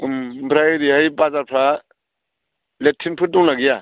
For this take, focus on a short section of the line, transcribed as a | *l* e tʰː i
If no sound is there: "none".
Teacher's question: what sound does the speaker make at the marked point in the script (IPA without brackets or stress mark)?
l